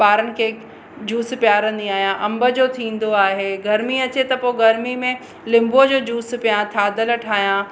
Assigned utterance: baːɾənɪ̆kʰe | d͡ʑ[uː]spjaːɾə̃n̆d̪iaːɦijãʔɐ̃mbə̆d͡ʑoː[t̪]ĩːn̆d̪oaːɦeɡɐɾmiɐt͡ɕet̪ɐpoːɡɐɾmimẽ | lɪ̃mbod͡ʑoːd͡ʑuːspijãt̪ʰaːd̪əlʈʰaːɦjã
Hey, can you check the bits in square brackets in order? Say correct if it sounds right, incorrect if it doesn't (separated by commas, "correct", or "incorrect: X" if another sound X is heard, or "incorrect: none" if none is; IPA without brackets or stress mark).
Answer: correct, incorrect: t̪ʰ